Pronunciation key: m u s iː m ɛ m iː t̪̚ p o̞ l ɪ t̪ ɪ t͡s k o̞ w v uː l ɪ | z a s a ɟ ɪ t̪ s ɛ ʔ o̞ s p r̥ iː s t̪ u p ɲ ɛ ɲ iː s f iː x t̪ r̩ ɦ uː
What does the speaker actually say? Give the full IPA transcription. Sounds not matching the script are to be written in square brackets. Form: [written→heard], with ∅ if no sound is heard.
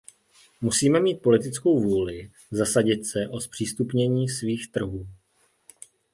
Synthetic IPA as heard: m u s iː m ɛ m iː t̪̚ p o̞ l ɪ t̪ ɪ t͡s k o̞ w v uː l ɪ | z a s a ɟ ɪ t̪ s ɛ ʔ o̞ s p r̥ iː s t̪ u p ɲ ɛ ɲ iː s [f→v] iː x t̪ r̩ ɦ uː

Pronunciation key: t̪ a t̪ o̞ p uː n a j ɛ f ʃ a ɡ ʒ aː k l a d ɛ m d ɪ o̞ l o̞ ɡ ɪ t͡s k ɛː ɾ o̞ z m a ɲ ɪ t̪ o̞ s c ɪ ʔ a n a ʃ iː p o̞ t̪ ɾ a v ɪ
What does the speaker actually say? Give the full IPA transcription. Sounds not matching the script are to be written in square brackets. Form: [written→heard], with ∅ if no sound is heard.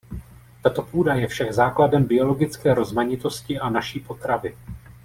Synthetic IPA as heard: t̪ a t̪ o̞ p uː [n→d] a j ɛ f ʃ a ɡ [ʒ→z] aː k l a d ɛ m [d→b] ɪ o̞ l o̞ ɡ ɪ t͡s k ɛː ɾ o̞ z m a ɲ ɪ t̪ o̞ s c ɪ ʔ a n a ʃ iː p o̞ t̪ ɾ a v ɪ

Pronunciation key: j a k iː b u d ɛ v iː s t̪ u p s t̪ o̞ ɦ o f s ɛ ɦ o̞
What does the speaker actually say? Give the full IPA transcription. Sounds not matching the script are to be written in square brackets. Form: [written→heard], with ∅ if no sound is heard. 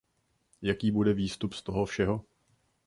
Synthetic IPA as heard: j a k iː b u d ɛ v iː s t̪ u p s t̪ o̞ ɦ o f [s→ʃ] ɛ ɦ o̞

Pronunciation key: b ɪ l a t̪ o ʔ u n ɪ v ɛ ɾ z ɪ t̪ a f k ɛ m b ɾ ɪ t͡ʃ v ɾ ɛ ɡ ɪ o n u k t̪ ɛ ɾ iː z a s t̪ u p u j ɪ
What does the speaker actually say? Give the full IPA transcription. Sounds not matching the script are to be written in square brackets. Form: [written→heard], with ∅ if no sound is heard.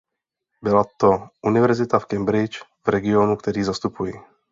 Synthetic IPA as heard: b ɪ l a t̪ o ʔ u n ɪ v ɛ ɾ z ɪ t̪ a f k ɛ m b ɾ ɪ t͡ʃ v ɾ ɛ ɡ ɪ o n u k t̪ ɛ ɾ iː z a s t̪ u p u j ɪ

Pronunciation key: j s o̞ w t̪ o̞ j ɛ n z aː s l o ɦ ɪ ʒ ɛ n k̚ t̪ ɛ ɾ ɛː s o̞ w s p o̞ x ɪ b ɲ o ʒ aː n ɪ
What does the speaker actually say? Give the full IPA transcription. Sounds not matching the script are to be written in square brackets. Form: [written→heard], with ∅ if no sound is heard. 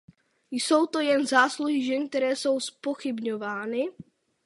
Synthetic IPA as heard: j s o̞ w t̪ o̞ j ɛ n z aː s l [o→u] ɦ ɪ ʒ ɛ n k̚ t̪ ɛ ɾ ɛː s o̞ w s p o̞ x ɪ b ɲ o [ʒ→v] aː n ɪ

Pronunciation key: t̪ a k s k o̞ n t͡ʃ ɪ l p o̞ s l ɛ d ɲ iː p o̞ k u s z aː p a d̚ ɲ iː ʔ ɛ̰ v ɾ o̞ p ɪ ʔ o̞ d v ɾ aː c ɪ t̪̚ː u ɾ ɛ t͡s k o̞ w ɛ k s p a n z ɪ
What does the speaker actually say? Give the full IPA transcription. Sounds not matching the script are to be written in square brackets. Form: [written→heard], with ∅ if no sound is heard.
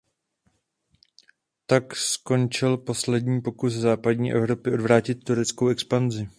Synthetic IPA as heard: t̪ a k s k o̞ n t͡ʃ ɪ l p o̞ s l ɛ d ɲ iː p o̞ k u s z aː p a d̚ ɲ iː ʔ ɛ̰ v ɾ o̞ p ɪ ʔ o̞ d v ɾ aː c ɪ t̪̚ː u ɾ ɛ t͡s k o̞ w ɛ k s p a n z ɪ

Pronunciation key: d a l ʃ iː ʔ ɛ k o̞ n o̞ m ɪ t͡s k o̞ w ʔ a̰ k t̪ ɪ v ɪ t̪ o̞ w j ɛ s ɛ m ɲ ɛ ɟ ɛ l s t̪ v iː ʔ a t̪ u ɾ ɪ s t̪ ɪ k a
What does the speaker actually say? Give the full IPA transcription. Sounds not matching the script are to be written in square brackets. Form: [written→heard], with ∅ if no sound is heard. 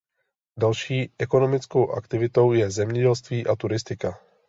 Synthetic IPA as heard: d a l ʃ iː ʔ ɛ k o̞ n o̞ m ɪ t͡s k o̞ w ʔ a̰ k t̪ ɪ v ɪ t̪ o̞ w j ɛ [s→z] ɛ m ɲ ɛ ɟ ɛ l s t̪ v iː ʔ a t̪ u ɾ ɪ s t̪ ɪ k a

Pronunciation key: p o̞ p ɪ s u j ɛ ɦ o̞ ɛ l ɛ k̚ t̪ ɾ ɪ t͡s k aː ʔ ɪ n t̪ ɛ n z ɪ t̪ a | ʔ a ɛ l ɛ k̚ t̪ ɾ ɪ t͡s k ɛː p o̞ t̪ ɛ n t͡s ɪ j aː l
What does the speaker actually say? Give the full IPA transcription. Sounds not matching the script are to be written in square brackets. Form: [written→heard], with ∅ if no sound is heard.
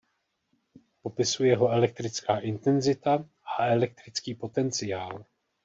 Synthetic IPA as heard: p o̞ p ɪ s u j ɛ ɦ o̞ ɛ l ɛ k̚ t̪ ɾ ɪ t͡s k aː ʔ ɪ n t̪ ɛ n z ɪ t̪ a | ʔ a ɛ l ɛ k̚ t̪ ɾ ɪ t͡s k [ɛː→iː] p o̞ t̪ ɛ n t͡s ɪ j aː l

